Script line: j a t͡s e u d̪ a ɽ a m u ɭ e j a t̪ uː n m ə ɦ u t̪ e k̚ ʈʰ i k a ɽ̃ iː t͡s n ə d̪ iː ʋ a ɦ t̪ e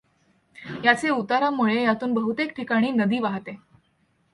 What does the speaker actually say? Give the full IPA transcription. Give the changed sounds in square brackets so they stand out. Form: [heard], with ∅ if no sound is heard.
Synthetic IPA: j a t͡s e u [t̪] a [ɾ] a m u ɭ e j a t̪ uː n [b] ə ɦ u t̪ e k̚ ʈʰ i k a ɽ̃ iː [∅] n ə d̪ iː ʋ a ɦ t̪ e

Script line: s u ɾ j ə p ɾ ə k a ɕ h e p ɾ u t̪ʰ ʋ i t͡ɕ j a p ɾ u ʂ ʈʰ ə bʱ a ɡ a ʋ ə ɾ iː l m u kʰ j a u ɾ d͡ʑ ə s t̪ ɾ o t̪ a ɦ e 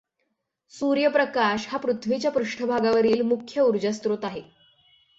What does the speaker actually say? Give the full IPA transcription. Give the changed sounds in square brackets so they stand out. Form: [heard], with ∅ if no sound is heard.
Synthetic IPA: s u ɾ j ə p ɾ ə k a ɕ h [a] p ɾ u t̪ʰ ʋ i t͡ɕ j a p ɾ u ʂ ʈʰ ə bʱ a ɡ a ʋ ə ɾ iː l m u kʰ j [ə] u ɾ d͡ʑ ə s t̪ ɾ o t̪ a ɦ e

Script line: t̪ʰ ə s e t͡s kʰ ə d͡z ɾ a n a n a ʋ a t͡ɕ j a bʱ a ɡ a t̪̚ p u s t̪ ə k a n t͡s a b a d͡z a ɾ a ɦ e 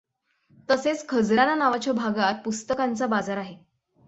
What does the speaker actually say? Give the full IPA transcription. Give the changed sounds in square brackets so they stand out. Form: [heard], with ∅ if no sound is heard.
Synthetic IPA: [t̪] ə s e t͡s kʰ ə d͡z ɾ a n a n a ʋ a t͡ɕ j a bʱ a ɡ a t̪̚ p u s t̪ ə k a n t͡s a b a d͡z a ɾ a ɦ e

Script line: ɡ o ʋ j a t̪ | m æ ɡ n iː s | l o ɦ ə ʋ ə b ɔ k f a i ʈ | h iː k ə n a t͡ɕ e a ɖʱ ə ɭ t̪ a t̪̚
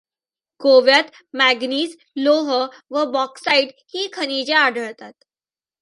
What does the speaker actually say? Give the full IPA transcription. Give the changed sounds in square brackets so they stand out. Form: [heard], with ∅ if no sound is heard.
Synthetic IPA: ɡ o ʋ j a t̪ | m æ ɡ n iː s | l o ɦ ə ʋ ə b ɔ k [s] a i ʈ | h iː [kʰ] ə n [i] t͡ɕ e a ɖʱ ə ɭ t̪ a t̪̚

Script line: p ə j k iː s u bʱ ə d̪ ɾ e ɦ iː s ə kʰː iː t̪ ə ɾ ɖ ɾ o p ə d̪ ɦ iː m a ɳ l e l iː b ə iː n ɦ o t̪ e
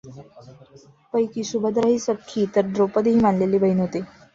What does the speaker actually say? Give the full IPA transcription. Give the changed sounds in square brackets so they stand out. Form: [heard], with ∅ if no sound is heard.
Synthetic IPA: p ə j k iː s u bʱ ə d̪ ɾ [a] ɦ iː s ə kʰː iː t̪ ə ɾ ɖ ɾ o p ə d̪ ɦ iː m a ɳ l e l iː b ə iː n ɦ o t̪ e

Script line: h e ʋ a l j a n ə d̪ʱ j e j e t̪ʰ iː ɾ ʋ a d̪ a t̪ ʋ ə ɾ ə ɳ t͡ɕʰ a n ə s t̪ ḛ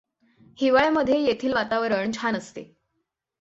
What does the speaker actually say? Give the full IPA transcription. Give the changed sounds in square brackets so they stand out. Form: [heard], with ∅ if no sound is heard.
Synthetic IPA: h [i] ʋ a [ɭ] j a [m] ə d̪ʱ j e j e t̪ʰ iː [l] ʋ a [t̪] a [∅] ʋ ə ɾ ə ɳ t͡ɕʰ a n ə s t̪ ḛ

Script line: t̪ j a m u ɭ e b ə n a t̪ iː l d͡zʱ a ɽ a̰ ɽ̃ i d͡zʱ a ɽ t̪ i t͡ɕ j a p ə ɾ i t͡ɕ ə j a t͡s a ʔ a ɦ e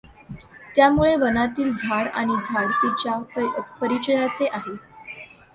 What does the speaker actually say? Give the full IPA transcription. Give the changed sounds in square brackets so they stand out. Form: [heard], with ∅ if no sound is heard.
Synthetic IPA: t̪ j a m u ɭ e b ə n a t̪ iː l d͡zʱ a ɽ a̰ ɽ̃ i d͡zʱ a ɽ t̪ i t͡ɕ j a p ə ɾ i t͡ɕ ə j a t͡s [e] ʔ a ɦ e

